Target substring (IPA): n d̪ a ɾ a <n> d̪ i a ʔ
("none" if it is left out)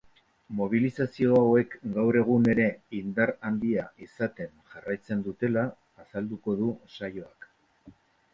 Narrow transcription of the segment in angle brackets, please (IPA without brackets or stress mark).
n